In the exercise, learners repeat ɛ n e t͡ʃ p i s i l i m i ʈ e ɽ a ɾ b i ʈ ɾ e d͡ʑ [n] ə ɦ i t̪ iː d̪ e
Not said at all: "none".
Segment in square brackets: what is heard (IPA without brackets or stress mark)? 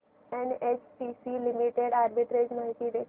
m